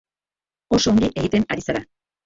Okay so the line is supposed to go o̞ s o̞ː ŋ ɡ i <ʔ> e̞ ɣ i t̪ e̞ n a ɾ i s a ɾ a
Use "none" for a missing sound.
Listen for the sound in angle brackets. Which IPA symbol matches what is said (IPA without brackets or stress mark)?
ʔ